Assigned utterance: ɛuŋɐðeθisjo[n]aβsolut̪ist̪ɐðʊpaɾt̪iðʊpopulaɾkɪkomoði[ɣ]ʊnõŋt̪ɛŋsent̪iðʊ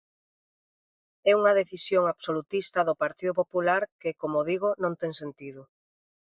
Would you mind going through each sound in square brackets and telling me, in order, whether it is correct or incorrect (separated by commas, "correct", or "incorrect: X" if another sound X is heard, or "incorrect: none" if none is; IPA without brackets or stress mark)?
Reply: incorrect: ŋ, correct